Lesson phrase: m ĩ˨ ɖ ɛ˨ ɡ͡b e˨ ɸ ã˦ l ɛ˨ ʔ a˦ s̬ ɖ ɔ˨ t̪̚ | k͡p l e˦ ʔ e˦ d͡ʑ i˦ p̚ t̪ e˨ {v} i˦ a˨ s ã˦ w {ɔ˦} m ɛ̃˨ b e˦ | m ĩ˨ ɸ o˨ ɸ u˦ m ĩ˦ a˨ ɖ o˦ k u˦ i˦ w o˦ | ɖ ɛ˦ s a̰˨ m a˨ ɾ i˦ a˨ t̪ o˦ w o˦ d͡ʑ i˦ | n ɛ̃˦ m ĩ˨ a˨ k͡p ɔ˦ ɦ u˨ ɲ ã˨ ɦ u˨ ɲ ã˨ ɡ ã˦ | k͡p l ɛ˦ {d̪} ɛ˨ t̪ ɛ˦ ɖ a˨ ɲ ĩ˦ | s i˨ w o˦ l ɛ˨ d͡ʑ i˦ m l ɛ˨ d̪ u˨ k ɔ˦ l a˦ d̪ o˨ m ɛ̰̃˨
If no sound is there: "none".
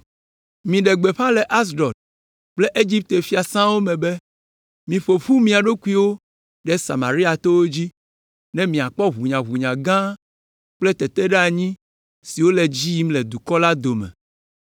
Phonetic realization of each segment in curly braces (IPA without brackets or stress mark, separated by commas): f, o˦, t̪